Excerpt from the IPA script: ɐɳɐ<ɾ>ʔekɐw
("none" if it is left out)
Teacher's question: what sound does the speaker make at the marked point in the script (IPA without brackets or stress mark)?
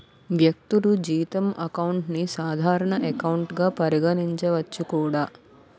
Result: none